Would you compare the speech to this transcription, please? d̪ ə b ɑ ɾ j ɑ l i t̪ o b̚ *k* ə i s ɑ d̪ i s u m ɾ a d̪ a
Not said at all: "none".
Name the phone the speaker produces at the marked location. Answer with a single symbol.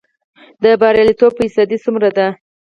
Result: p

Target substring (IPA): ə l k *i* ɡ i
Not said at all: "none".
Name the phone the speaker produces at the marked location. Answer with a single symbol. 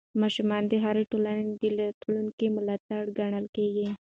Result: e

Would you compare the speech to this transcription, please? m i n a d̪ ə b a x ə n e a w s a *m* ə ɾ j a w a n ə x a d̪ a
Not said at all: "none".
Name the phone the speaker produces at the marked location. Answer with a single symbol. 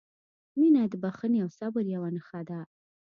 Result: b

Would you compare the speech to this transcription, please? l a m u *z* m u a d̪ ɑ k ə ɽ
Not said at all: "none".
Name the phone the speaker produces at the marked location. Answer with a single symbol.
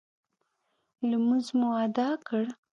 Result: z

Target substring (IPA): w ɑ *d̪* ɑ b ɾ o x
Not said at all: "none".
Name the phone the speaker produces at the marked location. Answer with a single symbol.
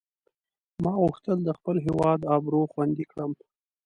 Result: d̪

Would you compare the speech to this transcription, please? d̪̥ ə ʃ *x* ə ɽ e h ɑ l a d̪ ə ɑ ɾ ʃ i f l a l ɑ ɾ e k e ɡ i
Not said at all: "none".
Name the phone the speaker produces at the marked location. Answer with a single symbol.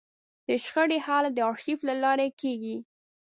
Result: x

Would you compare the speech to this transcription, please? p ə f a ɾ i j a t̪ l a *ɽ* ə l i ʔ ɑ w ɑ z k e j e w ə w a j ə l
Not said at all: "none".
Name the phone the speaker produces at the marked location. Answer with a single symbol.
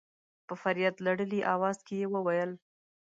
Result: ɽ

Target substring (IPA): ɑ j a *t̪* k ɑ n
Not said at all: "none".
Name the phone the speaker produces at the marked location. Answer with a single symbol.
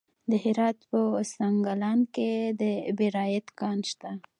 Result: t̪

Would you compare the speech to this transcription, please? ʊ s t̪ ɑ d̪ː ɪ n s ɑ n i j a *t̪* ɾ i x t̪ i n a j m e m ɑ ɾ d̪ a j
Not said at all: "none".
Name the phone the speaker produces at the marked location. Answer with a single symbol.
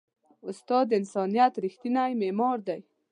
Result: t̪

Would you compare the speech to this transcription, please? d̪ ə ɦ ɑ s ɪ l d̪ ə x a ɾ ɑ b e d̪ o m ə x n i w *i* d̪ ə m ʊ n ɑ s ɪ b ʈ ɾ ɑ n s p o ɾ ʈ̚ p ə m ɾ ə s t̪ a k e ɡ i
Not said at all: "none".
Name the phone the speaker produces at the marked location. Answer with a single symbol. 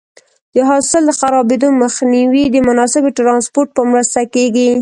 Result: i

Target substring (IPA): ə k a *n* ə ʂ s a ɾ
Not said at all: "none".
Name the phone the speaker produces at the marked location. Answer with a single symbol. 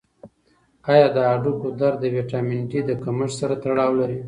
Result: m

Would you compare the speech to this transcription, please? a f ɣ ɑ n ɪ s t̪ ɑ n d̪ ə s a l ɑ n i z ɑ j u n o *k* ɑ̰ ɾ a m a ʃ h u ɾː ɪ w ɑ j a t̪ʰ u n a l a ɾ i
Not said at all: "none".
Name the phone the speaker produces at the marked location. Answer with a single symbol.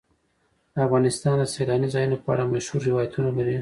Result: p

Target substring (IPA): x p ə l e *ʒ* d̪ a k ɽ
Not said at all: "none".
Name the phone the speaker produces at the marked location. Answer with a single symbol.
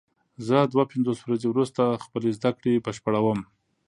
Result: z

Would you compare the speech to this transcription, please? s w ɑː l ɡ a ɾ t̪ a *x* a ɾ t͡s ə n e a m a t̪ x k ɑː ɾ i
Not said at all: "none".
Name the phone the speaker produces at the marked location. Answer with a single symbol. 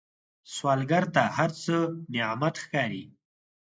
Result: h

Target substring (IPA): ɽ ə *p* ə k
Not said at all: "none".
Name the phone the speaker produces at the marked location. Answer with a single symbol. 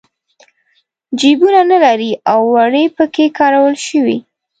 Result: p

